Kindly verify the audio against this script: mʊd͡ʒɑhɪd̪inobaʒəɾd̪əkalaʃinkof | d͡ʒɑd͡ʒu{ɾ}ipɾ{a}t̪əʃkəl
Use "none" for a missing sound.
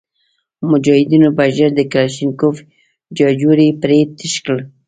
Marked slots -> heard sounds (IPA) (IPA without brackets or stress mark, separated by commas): ɾ, e